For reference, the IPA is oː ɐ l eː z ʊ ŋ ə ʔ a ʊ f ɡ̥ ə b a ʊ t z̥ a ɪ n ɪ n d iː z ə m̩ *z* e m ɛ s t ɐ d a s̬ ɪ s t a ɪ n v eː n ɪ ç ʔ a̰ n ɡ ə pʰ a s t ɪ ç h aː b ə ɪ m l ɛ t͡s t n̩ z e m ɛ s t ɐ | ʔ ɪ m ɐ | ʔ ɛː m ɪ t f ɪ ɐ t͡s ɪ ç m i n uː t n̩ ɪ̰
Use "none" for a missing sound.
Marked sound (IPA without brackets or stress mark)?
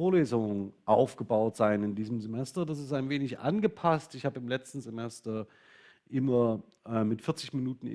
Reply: z